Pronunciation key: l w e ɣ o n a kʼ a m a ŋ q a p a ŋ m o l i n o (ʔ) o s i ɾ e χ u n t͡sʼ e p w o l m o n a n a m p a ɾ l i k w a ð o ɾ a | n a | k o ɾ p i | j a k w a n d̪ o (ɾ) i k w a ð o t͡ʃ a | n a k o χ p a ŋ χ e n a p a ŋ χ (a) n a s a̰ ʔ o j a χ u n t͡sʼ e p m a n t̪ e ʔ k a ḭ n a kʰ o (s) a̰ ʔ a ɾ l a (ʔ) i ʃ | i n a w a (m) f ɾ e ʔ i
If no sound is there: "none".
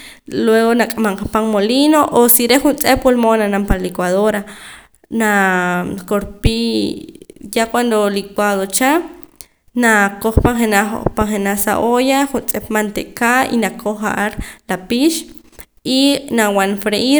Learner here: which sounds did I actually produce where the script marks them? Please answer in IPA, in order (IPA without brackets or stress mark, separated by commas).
ʔ, l, e, χ, p, n